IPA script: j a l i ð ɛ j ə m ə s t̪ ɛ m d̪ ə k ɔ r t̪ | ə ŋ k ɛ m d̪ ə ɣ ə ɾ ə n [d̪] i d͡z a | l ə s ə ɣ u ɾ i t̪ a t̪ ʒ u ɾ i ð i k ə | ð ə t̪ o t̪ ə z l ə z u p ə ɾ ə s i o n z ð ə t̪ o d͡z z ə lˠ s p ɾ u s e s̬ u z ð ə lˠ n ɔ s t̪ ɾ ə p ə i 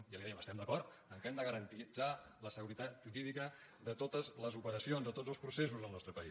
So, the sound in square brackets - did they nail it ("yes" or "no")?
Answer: no